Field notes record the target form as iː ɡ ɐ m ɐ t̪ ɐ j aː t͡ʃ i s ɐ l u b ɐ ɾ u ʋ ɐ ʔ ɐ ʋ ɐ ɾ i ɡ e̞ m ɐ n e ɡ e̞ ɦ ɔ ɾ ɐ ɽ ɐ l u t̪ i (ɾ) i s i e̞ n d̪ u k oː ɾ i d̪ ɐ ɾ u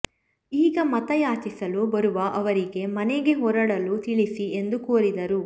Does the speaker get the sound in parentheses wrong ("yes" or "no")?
yes